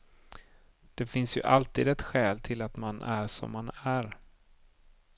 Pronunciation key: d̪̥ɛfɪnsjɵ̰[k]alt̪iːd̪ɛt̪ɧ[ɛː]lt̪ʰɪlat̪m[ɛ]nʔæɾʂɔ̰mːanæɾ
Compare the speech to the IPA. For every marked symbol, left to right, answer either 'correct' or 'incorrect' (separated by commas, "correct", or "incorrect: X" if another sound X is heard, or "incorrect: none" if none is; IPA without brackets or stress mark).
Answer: incorrect: ʔ, correct, incorrect: a